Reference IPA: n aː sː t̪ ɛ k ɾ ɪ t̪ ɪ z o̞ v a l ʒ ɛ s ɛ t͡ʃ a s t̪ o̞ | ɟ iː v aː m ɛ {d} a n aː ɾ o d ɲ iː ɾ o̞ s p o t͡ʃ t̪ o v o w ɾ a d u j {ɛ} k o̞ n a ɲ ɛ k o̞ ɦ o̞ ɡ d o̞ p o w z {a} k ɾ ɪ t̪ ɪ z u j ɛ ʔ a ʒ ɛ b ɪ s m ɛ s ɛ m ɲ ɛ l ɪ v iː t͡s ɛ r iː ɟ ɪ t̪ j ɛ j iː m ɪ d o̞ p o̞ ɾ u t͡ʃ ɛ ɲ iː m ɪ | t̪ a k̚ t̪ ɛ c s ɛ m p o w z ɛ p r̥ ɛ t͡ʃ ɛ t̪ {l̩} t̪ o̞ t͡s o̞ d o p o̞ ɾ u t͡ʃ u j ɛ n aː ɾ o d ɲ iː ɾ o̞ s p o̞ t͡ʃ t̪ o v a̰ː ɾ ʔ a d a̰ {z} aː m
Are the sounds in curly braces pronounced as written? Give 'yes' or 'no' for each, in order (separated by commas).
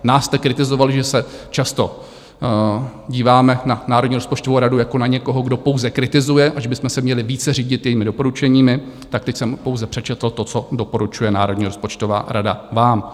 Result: no, no, no, yes, no